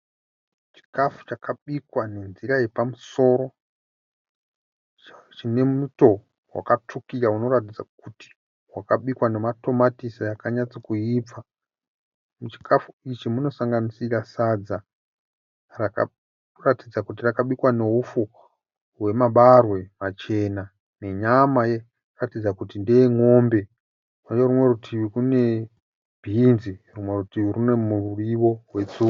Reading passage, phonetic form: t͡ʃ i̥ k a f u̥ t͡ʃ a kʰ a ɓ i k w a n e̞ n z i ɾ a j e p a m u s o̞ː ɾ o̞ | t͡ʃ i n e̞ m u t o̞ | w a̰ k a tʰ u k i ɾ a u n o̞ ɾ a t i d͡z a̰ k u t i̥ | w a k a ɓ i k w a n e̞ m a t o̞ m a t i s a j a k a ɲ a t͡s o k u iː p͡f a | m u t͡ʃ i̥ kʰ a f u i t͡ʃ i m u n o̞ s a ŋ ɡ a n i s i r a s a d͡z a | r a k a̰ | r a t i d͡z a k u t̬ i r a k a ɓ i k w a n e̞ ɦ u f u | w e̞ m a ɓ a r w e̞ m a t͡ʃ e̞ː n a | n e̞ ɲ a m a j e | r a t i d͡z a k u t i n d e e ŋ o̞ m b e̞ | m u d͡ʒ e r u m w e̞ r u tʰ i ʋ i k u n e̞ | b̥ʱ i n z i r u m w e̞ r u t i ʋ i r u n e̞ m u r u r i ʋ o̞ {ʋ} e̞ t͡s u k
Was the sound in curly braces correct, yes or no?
no